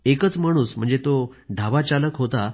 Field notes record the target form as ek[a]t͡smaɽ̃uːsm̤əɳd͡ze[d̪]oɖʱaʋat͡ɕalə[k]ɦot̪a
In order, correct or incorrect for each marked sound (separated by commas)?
incorrect, incorrect, correct